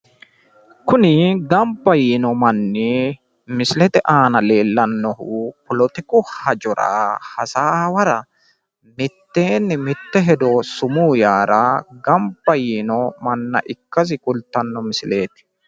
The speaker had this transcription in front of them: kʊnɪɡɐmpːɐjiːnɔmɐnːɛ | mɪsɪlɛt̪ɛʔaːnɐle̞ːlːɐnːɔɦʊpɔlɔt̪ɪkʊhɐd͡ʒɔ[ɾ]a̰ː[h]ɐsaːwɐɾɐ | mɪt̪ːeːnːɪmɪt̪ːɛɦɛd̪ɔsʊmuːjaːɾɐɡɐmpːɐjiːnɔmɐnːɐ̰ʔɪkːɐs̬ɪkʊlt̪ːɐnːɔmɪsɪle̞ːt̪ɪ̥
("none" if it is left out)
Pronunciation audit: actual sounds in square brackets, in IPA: ɾ, h

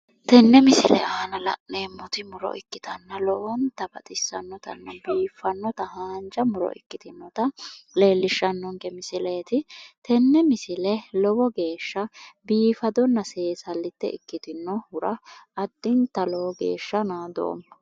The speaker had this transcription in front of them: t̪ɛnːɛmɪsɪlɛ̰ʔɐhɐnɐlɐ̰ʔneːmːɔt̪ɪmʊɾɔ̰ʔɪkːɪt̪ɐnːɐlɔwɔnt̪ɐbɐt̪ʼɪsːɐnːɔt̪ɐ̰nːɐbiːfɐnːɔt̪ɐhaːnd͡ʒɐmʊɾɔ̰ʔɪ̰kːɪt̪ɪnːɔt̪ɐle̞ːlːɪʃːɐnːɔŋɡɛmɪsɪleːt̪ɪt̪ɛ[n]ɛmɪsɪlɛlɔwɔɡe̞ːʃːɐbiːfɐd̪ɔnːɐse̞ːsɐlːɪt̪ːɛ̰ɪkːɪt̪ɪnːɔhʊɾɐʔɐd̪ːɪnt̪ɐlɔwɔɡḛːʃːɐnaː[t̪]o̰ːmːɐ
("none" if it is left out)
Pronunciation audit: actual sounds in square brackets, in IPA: nː, d̪

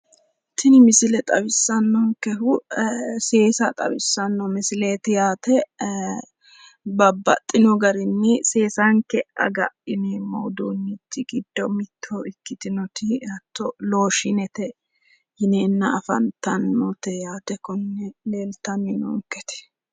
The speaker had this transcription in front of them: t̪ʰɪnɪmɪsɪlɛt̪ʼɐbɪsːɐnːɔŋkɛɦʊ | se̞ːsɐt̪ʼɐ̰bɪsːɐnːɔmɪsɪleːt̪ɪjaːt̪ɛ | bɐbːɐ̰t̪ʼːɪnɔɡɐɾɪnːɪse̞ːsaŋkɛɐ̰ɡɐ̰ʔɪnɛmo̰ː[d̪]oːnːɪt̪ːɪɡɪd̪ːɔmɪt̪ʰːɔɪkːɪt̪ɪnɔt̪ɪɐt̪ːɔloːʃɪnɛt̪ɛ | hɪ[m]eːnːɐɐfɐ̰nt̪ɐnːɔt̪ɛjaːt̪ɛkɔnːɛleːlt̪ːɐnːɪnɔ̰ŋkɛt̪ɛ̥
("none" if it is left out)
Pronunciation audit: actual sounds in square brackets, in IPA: d̪, n

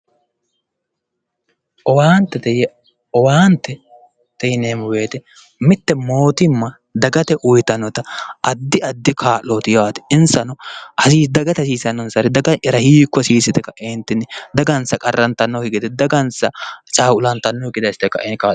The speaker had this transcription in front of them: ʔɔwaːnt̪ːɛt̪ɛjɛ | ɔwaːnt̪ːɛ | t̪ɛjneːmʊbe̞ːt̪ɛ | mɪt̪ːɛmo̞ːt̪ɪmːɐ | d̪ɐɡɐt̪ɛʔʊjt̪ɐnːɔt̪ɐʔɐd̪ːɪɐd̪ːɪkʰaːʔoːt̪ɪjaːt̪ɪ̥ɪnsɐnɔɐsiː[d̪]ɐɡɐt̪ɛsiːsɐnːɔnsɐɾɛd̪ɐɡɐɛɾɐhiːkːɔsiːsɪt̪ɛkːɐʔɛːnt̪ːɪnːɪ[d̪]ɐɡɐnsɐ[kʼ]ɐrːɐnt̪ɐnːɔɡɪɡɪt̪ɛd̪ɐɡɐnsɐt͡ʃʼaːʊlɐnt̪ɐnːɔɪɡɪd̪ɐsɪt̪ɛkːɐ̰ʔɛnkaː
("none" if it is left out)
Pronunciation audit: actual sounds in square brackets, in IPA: d̪, d̪, kʼ

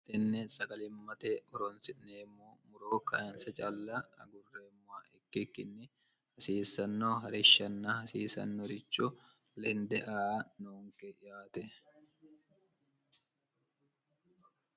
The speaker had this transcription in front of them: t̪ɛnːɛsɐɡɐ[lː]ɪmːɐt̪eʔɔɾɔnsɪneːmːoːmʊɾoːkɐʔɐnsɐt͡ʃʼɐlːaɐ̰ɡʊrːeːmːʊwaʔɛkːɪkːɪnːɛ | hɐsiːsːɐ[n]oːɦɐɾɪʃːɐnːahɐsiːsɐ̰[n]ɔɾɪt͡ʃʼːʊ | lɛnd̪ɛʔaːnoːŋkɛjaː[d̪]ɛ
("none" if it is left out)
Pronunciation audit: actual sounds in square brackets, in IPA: l, nː, nː, t̪

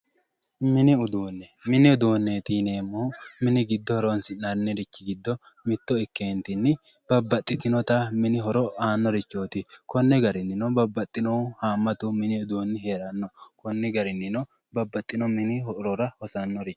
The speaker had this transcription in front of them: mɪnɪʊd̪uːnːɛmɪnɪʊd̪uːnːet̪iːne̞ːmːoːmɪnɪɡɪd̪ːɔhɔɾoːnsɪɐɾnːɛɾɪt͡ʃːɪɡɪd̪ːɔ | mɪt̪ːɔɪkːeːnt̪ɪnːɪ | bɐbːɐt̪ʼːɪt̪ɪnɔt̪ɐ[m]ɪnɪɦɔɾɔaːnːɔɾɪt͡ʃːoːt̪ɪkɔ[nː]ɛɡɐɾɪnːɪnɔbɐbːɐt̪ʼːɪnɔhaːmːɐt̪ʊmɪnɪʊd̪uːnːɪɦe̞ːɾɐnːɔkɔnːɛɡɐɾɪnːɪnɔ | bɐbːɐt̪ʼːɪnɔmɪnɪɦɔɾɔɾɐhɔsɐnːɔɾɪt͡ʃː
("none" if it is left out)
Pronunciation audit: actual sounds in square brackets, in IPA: m, nː

